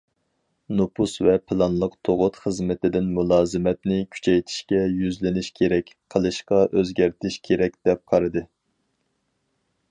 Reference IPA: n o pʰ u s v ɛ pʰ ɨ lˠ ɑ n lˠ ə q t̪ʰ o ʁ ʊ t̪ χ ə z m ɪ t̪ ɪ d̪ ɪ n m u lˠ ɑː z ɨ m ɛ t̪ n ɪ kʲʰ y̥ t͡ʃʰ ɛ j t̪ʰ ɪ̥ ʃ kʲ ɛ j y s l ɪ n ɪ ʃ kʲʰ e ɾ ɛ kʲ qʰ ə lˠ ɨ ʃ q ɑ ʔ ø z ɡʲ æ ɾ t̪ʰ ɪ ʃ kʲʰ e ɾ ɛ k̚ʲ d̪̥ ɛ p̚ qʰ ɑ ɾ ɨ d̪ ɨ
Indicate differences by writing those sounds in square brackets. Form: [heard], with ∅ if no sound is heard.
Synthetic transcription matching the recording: n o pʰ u s v ɛ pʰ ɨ lˠ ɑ n lˠ ə q t̪ʰ o ʁ ʊ t̪ χ ə z m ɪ t̪ ɪ d̪ ɪ n m u lˠ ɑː z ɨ m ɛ t̪ n ɪ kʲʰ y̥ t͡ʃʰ ɛ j t̪ʰ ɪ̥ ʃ kʲ ɛ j y [z] l ɪ n ɪ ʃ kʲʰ e ɾ ɛ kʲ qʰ ə lˠ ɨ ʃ q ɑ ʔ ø z ɡʲ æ ɾ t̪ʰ ɪ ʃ kʲʰ e ɾ ɛ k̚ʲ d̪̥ ɛ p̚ qʰ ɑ ɾ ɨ d̪ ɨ